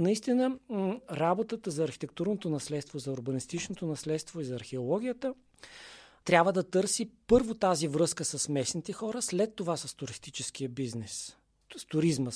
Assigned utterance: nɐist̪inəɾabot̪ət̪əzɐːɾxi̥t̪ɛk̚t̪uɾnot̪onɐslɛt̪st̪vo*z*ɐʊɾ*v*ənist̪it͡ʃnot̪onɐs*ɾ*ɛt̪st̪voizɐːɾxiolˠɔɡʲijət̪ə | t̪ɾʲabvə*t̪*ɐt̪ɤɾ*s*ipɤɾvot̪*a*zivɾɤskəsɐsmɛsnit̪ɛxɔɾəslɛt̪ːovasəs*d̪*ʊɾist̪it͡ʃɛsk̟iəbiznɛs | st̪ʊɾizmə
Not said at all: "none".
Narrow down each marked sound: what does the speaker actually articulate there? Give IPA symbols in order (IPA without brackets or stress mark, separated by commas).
z, b, l, d̪, s, a, t̪